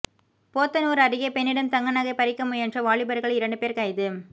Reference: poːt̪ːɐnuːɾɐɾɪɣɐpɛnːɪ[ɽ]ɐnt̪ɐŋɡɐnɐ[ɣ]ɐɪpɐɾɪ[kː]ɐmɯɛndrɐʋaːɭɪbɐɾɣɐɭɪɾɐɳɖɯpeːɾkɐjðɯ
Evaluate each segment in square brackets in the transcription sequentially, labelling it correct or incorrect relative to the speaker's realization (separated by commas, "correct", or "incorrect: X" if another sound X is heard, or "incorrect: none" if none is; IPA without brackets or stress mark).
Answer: correct, correct, correct